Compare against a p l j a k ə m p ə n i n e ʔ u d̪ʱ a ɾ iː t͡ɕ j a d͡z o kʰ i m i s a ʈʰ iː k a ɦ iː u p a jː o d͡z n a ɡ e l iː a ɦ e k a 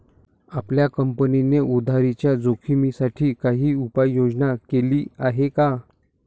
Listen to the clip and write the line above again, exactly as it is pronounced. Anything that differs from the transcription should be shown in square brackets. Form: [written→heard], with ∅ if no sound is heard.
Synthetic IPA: a p l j a k ə m p ə n i n e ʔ u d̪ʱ a ɾ [iː→i] t͡ɕ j a d͡z o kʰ i m i s a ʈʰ iː k a ɦ iː u p a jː o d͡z n a [ɡ→k] e l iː a ɦ e k a